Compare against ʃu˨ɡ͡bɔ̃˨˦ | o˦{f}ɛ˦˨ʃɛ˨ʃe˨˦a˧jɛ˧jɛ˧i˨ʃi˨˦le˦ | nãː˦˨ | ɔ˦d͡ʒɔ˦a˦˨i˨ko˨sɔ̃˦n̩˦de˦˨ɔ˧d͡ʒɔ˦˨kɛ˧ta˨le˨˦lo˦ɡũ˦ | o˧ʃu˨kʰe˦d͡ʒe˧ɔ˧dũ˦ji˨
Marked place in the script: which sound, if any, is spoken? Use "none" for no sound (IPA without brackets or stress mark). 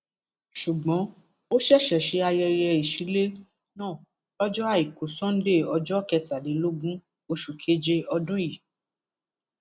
ʃ